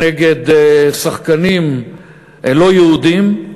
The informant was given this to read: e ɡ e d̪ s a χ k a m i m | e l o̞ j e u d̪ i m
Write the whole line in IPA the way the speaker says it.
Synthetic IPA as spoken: e ɡ e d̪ s a χ k a n i m | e l o̞ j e u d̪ i m